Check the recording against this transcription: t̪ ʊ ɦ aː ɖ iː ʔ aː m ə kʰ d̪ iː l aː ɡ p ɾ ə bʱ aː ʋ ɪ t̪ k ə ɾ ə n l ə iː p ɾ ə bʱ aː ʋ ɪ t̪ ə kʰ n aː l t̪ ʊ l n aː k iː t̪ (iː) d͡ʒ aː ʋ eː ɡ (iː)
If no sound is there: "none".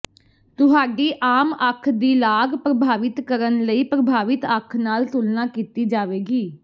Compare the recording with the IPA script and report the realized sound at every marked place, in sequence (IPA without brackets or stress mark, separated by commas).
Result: iː, iː